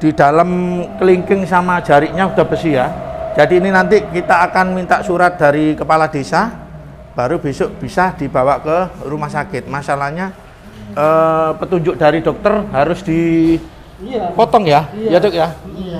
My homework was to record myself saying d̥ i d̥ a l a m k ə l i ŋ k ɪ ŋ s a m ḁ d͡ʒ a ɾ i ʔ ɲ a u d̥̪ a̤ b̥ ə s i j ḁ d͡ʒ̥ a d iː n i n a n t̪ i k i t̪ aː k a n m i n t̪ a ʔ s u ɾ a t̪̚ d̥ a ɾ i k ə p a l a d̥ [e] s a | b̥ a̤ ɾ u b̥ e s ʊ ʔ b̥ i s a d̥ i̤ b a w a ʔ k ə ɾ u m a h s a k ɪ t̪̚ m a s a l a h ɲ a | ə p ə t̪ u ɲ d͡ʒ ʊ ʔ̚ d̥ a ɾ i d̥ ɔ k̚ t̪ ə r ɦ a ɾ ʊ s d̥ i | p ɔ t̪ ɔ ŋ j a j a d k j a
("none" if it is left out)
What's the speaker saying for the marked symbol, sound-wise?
e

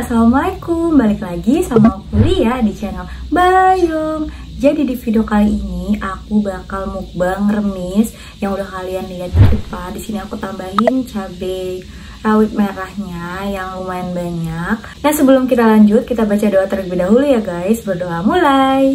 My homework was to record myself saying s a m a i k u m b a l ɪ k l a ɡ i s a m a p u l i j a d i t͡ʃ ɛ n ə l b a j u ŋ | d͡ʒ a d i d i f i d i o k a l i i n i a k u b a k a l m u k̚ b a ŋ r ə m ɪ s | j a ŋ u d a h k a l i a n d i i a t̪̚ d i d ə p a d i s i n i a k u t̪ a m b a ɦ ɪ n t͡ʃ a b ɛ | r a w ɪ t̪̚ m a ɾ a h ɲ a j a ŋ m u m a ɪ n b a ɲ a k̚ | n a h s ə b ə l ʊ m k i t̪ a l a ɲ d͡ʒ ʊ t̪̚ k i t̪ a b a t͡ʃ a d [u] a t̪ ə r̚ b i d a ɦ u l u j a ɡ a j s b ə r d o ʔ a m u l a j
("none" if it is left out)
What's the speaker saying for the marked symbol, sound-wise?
o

